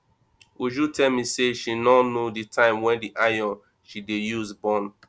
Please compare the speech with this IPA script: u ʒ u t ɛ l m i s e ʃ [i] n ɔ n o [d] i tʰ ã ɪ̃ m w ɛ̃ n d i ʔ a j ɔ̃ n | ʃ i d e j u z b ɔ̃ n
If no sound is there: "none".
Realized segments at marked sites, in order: i, d

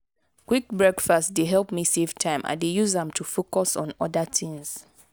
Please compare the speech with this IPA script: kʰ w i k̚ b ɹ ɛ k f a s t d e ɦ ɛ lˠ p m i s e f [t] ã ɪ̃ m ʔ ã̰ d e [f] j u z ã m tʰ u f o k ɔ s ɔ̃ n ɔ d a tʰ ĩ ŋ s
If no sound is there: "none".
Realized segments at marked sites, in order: tʰ, none

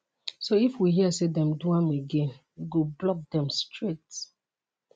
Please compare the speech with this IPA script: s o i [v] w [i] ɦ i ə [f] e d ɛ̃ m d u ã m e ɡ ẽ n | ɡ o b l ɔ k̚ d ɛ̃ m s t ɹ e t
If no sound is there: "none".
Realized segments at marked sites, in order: f, i, s

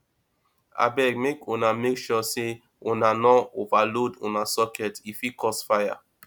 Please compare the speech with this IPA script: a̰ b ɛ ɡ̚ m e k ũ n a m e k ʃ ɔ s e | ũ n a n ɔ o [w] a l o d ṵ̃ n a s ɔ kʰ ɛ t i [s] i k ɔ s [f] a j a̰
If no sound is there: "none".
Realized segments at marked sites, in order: v, f, f

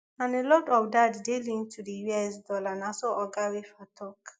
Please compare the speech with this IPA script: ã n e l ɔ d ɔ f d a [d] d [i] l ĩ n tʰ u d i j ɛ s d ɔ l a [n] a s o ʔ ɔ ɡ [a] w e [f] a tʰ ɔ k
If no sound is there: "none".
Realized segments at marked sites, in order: d, e, n, a, f

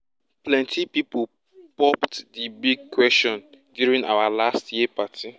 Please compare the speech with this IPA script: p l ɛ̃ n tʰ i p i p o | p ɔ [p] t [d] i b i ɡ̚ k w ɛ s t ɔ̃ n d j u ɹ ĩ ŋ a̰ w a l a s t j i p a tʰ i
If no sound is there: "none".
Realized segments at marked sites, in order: p, d

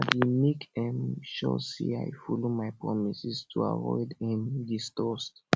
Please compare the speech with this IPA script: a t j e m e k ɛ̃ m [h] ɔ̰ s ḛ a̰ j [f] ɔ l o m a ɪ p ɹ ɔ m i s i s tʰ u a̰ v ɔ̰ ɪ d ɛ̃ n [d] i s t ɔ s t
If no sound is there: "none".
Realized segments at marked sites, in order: ʃ, f, d

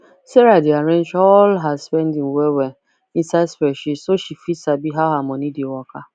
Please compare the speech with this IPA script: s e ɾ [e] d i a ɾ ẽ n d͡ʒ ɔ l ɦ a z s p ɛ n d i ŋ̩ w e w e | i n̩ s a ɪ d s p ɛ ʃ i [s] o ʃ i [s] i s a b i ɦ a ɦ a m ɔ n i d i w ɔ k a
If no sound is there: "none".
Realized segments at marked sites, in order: a, s, f

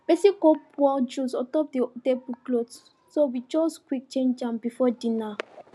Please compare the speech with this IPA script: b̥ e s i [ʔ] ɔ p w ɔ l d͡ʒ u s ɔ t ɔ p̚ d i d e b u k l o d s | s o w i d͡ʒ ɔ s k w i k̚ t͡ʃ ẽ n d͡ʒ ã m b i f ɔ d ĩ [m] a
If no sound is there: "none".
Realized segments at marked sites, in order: k, n

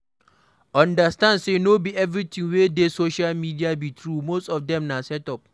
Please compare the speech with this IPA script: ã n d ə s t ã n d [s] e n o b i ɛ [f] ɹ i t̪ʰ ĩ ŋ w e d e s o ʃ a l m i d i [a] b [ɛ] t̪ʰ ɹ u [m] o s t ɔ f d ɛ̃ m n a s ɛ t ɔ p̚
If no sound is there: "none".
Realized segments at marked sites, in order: s, v, a, i, m

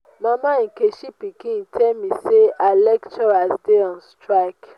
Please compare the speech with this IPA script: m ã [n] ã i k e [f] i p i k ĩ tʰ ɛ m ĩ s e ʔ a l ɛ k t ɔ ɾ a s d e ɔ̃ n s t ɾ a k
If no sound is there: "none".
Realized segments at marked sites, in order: m, ʃ

